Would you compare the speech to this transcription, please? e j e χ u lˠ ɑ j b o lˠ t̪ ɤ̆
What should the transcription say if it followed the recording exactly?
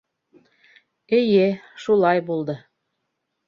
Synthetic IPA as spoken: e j e ʃ u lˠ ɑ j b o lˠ d̪ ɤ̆